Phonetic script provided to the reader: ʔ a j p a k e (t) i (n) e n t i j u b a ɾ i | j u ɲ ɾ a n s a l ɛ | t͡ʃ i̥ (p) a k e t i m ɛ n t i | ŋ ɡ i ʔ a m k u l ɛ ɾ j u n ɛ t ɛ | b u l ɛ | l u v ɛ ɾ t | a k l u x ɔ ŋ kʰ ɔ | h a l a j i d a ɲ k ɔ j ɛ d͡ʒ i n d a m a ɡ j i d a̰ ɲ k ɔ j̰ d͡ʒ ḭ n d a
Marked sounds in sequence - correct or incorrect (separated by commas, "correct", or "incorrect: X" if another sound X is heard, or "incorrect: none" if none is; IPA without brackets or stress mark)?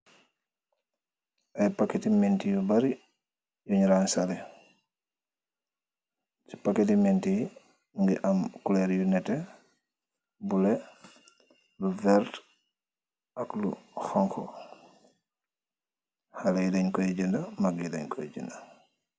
correct, incorrect: m, correct